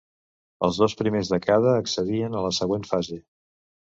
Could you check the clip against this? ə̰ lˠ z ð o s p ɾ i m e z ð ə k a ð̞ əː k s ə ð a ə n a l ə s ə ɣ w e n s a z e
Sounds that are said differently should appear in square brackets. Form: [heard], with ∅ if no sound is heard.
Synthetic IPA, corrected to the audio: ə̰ lˠ z ð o s p ɾ i m e z ð ə k a ð̞ əː k s ə ð [i] ə n [ə] l ə s ə ɣ w e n [f] a z e